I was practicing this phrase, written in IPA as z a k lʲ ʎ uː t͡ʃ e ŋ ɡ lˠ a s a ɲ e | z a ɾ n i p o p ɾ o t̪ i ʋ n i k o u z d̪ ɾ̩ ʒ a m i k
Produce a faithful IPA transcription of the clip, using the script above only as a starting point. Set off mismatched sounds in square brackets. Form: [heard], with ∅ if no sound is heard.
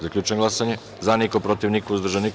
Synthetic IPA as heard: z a k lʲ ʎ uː t͡ʃ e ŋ ɡ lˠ a s a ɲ e | z a [∅] n i [k] o p ɾ o t̪ i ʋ n i k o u z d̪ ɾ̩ ʒ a [n] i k